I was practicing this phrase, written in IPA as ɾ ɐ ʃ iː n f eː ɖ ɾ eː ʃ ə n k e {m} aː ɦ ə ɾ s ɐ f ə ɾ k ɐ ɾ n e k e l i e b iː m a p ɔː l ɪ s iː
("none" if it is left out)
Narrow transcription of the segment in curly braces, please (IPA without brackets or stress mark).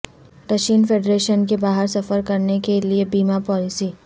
b